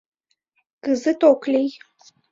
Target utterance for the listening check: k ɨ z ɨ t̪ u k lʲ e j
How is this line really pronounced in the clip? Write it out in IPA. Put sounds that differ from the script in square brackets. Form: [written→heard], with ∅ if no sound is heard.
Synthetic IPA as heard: k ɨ z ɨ t̪ [u→o] k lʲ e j